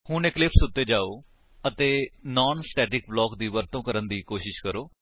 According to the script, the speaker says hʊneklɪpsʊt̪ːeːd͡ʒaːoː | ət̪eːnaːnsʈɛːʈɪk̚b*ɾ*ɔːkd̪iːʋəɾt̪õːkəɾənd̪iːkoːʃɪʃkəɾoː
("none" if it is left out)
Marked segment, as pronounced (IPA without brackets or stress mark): l